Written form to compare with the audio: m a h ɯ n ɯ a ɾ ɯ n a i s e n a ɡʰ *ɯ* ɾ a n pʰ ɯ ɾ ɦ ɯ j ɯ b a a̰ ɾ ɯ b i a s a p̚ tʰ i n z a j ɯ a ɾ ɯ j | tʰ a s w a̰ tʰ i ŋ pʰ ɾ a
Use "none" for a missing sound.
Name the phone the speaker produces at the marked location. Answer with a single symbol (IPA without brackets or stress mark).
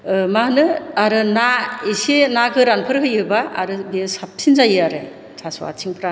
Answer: ɯ